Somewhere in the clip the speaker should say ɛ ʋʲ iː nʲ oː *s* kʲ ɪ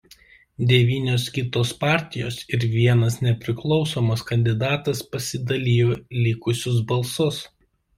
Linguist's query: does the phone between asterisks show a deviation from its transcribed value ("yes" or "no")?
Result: no